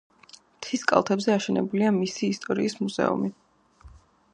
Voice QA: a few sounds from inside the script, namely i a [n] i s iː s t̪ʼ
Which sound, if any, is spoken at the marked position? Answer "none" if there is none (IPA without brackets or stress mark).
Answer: m